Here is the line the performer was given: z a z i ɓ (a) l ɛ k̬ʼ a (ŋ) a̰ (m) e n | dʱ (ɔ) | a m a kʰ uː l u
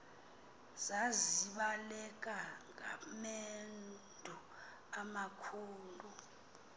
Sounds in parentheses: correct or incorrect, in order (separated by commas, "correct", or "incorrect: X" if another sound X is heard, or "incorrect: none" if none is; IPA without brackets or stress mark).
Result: correct, correct, correct, incorrect: u